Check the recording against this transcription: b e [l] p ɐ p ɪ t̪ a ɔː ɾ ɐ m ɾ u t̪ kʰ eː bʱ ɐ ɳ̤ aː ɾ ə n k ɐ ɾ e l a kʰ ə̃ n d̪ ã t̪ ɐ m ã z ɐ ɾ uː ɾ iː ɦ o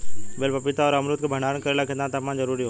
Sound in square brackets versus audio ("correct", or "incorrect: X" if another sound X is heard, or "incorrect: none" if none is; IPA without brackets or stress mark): correct